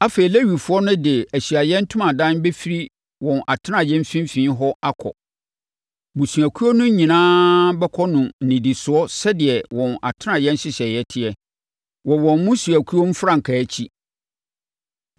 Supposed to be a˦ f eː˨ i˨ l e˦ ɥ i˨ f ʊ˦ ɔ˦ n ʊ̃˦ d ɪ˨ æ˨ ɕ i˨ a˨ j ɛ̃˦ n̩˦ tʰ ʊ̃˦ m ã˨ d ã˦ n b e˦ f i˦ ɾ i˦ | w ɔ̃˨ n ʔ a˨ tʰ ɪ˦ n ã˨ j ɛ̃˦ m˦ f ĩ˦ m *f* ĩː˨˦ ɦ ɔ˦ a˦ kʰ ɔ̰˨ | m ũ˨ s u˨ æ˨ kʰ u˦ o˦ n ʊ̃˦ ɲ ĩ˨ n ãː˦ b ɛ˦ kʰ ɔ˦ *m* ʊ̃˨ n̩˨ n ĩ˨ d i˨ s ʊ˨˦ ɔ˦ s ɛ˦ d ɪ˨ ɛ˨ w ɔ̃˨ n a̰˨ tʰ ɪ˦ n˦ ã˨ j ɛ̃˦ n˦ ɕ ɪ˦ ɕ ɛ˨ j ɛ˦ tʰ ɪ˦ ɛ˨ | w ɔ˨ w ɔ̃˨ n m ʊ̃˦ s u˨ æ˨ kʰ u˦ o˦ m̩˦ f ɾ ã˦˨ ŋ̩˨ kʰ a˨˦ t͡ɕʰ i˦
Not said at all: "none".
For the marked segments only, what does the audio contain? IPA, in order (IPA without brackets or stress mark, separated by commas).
f, n